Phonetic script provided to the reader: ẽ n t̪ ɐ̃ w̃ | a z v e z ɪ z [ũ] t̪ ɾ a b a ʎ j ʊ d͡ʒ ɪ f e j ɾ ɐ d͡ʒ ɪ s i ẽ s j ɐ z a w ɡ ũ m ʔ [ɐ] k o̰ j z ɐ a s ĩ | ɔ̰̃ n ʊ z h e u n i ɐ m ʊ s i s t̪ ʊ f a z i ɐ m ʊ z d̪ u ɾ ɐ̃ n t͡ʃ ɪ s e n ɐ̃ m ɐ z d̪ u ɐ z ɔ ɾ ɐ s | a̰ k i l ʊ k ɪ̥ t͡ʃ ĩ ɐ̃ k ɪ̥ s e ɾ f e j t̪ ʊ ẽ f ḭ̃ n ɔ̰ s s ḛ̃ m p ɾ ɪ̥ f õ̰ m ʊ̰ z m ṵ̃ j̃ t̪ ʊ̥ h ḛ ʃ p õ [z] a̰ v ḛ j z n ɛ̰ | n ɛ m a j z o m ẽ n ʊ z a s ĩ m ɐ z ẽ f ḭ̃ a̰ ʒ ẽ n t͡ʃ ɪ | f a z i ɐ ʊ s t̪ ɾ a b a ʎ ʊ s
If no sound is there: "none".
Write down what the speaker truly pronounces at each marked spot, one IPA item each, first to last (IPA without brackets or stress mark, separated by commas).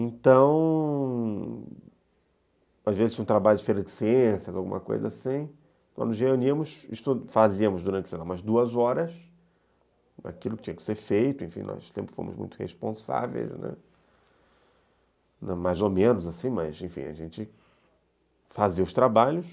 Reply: ũ, ɐ, s